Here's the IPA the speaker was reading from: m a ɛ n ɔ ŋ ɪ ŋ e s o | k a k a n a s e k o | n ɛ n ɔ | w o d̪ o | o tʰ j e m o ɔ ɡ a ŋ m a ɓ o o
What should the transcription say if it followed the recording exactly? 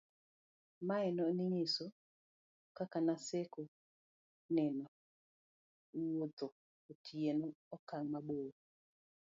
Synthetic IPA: m a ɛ n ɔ n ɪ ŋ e s o | k a k a n a s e k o | n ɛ n ɔ | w o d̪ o | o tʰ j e n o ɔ k a ŋ m a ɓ o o